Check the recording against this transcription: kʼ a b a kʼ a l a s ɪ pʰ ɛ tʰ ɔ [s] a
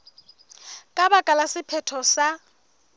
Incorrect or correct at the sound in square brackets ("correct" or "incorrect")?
correct